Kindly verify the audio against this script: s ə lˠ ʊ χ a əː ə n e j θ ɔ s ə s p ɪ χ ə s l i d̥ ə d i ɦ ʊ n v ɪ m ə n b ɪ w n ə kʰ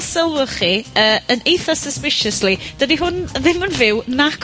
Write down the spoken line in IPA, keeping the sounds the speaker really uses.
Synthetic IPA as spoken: s ə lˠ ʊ χ i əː ə n e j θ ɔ s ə s p ɪ ʃ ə s l i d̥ ə d i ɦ ʊ n ð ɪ m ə n v ɪ w n a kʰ